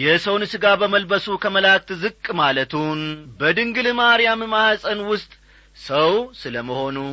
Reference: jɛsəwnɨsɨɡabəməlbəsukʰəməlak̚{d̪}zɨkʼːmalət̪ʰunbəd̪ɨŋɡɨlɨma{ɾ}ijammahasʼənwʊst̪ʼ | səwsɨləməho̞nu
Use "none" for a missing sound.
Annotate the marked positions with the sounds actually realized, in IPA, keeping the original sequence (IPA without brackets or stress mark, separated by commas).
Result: t̪, ɾ